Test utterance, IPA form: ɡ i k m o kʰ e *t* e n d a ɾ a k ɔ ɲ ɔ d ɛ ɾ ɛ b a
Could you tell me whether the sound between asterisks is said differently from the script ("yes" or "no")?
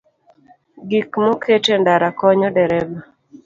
no